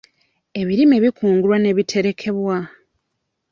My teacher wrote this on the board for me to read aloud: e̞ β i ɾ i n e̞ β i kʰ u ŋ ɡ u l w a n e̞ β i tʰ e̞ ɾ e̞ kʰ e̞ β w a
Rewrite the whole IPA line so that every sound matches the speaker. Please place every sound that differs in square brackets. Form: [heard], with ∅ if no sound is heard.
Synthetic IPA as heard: e̞ β i ɾ i [m] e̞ β i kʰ [uː] ŋ ɡ u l w a n e̞ β i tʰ e̞ ɾ e̞ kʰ e̞ β w a